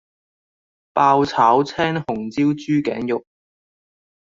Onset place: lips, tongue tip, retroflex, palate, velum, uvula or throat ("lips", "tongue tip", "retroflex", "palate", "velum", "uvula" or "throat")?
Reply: lips